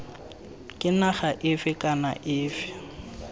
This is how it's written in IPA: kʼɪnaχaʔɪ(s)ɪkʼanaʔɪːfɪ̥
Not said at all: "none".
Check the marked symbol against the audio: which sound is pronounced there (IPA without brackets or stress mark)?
f